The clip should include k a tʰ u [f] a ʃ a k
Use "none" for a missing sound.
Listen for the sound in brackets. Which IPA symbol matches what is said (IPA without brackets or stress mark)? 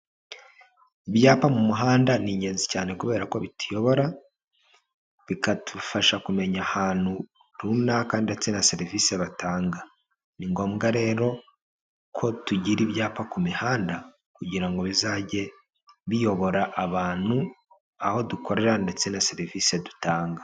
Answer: f